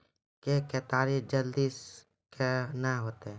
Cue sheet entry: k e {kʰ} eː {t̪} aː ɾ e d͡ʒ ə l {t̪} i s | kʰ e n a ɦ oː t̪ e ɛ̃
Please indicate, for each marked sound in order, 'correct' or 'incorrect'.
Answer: incorrect, correct, incorrect

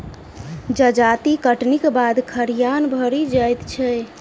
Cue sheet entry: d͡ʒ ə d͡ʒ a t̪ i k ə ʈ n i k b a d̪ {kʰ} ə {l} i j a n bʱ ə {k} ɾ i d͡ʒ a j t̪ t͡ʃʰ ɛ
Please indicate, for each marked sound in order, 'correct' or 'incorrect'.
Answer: correct, incorrect, incorrect

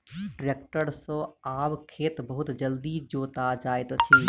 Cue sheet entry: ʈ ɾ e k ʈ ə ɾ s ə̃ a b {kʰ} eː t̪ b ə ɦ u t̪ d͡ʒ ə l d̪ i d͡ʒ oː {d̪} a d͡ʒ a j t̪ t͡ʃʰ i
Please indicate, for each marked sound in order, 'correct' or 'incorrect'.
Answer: correct, incorrect

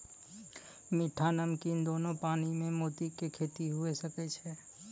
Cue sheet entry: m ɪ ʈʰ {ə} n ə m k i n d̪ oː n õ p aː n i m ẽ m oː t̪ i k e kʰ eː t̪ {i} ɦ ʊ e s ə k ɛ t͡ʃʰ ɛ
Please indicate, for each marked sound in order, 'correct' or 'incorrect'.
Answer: incorrect, correct

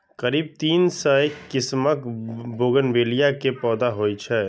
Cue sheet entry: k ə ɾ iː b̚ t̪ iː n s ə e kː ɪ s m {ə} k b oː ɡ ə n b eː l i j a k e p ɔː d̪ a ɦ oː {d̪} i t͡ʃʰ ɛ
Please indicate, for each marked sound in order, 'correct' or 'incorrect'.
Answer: correct, incorrect

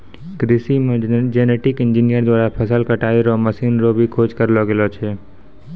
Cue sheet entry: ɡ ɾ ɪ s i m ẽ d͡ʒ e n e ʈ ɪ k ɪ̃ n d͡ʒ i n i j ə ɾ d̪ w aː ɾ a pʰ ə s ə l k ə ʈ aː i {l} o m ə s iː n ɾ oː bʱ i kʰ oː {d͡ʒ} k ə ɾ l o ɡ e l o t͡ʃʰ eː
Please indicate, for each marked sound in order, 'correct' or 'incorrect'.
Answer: incorrect, correct

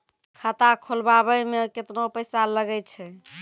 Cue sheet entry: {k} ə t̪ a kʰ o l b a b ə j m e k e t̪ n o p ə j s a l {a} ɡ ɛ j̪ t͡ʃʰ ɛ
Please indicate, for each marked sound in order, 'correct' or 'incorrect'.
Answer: incorrect, incorrect

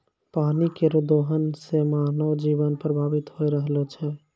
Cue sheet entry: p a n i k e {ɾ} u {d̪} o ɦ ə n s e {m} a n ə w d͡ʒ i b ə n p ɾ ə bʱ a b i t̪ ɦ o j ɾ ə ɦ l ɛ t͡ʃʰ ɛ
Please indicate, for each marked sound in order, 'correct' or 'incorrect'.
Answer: correct, correct, correct

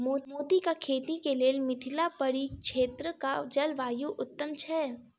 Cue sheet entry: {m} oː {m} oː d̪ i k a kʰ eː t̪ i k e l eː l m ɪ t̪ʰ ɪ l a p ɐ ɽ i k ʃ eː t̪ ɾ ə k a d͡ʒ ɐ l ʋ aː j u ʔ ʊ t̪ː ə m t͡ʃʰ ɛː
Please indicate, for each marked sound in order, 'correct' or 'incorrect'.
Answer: correct, correct

